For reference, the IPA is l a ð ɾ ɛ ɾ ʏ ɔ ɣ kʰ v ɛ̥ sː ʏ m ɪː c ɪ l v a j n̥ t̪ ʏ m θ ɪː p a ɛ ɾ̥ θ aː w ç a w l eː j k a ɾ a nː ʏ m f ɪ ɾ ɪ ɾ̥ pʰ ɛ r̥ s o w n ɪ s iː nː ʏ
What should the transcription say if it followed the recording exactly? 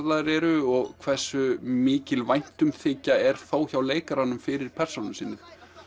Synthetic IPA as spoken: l a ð ɾ ɛ ɾ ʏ ɔ ɣ kʰ v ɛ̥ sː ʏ m ɪː c ɪ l v a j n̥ t̪ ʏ m θ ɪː c a ɛ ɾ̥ θ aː w ç a w l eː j k a ɾ a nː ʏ m f ɪ ɾ ɪ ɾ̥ pʰ ɛ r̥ s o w n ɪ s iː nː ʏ